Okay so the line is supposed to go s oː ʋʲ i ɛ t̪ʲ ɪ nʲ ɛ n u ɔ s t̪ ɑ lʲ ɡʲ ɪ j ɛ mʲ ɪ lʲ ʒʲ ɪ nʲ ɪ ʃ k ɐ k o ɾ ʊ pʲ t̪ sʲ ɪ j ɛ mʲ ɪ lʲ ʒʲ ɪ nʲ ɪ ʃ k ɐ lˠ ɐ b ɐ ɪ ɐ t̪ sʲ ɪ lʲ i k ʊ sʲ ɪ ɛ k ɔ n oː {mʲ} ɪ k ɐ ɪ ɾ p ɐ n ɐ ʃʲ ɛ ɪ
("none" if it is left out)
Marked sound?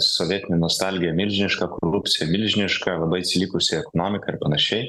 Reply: mʲ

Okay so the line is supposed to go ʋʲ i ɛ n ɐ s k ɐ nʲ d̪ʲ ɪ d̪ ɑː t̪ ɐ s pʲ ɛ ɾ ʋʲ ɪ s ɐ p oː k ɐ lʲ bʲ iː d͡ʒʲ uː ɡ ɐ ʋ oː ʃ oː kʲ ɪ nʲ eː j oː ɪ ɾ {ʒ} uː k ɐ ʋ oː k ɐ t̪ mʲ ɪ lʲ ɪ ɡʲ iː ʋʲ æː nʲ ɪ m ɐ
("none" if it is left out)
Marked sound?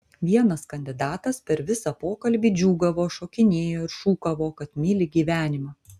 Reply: ʃ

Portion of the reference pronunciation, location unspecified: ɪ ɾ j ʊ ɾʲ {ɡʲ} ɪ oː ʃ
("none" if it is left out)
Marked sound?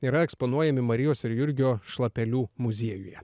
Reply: ɡʲ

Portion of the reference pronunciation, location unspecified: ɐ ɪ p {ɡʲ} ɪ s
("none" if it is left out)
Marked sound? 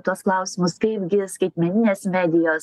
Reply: ɡʲ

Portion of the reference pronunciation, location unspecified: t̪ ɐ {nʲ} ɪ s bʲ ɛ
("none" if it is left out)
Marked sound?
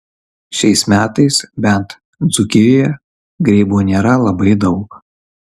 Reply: none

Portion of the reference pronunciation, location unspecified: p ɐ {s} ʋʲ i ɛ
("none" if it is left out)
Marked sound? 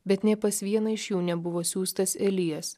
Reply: s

